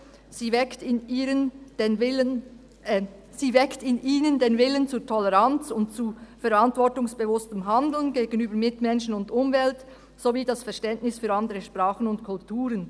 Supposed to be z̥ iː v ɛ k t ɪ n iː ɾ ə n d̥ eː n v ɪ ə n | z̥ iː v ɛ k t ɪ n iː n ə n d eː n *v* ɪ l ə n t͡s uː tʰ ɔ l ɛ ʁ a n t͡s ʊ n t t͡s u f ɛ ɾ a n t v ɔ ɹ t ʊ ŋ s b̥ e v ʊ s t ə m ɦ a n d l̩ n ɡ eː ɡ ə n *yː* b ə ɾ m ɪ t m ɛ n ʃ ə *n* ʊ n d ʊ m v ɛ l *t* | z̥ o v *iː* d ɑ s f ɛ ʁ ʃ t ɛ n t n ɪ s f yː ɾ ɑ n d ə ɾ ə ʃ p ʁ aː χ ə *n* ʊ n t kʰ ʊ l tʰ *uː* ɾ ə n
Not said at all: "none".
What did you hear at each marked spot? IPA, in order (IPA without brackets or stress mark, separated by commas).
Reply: v, yː, n, t, iː, n, uː